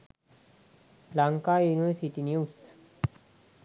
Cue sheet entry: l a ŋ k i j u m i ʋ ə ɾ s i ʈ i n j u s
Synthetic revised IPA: l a ŋ k a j u n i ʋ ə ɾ s i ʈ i n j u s